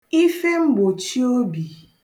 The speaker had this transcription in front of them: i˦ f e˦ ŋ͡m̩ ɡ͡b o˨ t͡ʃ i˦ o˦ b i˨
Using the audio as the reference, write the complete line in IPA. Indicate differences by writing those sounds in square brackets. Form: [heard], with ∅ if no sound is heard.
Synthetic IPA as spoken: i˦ f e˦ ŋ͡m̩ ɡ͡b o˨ t͡ʃ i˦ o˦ b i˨

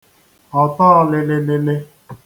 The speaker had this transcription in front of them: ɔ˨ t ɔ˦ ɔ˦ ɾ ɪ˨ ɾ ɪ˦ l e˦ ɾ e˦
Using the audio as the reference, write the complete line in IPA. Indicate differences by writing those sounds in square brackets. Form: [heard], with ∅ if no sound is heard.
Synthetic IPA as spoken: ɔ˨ t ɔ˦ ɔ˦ [l] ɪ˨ [l] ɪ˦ l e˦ [l] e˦

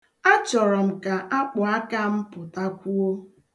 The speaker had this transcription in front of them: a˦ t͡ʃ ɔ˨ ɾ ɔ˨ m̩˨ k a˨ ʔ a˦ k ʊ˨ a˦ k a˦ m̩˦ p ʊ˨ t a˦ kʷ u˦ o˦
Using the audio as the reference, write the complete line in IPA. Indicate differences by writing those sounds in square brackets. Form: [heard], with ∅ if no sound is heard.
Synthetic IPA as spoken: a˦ t͡ʃ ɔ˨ ɾ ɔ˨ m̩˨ k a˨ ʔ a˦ [k͡p] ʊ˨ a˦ k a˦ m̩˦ p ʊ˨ t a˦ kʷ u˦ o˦

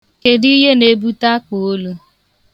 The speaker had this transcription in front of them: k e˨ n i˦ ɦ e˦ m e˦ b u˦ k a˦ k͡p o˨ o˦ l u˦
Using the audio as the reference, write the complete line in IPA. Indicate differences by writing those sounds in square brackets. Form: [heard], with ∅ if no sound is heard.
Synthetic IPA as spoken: k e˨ [d] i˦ ɦ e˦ [n] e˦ b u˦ [t] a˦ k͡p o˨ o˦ l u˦

